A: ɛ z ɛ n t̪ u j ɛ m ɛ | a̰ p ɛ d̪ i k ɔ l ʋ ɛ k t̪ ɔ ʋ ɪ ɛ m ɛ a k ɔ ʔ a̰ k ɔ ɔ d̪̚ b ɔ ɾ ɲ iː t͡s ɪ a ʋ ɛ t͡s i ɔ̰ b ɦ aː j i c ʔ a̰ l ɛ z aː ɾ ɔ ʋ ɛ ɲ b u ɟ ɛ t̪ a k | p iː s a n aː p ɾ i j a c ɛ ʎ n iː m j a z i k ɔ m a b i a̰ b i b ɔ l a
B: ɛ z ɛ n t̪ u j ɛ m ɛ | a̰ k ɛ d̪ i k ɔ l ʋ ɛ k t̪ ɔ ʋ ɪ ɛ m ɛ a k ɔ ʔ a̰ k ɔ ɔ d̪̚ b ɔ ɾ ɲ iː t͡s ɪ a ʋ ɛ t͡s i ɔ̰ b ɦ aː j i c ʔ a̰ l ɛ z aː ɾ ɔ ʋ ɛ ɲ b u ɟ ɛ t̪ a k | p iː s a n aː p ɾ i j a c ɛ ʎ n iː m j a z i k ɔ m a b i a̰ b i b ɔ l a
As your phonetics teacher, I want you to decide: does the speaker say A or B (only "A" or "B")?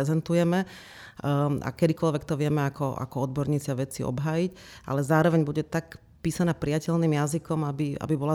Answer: B